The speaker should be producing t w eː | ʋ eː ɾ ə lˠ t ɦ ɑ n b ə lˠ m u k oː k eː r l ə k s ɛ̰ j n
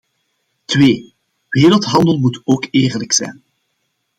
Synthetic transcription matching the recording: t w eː | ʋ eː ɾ ə lˠ t ɦ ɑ n d ə lˠ m u t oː k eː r l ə k s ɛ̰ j n